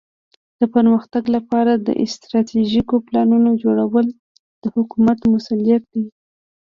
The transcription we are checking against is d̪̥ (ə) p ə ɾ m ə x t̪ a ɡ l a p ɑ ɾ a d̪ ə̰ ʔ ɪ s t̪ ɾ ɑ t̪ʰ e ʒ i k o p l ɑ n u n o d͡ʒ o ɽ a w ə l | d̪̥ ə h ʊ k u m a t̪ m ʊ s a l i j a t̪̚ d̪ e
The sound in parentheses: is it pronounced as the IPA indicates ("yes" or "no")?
yes